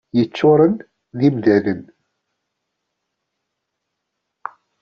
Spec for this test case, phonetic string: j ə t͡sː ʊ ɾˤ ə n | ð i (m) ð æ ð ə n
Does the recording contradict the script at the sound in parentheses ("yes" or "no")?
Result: no